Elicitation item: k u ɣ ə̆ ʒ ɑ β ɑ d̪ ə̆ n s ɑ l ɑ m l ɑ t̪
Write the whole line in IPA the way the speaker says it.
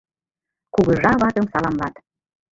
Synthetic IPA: k u ɣ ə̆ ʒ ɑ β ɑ t̪ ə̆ m s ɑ l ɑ m l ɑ t̪